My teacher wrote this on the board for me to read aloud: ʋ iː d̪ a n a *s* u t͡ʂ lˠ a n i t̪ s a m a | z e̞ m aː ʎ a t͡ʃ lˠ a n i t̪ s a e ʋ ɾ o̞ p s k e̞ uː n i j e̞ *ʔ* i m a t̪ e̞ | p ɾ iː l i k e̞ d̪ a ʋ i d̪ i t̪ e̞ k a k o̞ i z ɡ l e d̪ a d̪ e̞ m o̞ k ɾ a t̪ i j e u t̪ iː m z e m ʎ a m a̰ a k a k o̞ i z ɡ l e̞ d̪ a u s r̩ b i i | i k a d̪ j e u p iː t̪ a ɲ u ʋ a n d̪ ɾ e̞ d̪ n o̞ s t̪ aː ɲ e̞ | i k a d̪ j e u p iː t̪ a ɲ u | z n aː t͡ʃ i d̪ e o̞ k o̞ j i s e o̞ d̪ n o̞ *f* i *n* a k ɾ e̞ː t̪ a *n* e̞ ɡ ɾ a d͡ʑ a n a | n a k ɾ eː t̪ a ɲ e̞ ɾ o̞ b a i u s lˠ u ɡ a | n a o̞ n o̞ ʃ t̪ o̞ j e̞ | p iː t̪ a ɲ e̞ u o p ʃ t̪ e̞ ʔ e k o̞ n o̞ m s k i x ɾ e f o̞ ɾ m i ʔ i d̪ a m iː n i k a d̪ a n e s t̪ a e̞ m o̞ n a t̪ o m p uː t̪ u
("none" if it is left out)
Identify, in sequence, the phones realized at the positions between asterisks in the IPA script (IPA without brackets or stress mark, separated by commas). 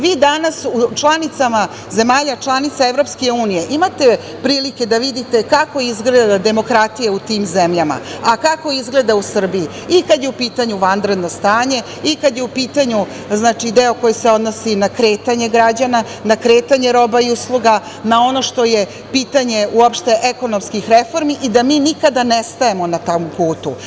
s, ʔ, s, n, ɲ